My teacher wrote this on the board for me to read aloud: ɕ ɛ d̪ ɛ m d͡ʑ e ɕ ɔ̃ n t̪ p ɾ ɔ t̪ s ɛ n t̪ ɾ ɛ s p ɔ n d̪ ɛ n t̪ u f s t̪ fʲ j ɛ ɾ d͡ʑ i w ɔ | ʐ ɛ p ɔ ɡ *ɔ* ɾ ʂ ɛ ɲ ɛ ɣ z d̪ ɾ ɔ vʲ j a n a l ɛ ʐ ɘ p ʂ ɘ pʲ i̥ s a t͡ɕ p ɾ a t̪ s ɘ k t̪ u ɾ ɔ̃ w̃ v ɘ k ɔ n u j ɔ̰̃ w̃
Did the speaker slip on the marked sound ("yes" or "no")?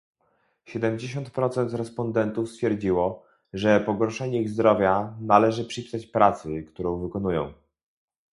no